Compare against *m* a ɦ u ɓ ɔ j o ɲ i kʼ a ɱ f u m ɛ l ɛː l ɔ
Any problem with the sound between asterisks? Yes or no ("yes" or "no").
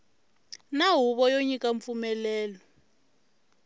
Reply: yes